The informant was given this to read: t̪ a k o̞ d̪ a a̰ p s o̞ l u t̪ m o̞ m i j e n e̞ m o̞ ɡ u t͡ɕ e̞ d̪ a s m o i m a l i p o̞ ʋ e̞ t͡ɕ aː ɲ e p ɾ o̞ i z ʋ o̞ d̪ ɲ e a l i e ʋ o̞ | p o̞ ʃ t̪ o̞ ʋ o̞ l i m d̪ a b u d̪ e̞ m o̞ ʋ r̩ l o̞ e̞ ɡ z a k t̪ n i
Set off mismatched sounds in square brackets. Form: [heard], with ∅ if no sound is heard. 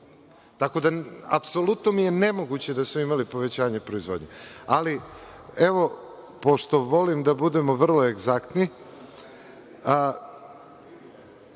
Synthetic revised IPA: t̪ a k o̞ d̪ a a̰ p s o̞ l u t̪ [n] o̞ m i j e n e̞ m o̞ ɡ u t͡ɕ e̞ d̪ a s m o i m a l i p o̞ ʋ e̞ t͡ɕ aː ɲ e p ɾ o̞ i z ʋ o̞ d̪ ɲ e a l i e ʋ o̞ | p o̞ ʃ t̪ o̞ ʋ o̞ l i m d̪ a b u d̪ e̞ m o̞ ʋ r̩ l o̞ e̞ ɡ z a k t̪ n i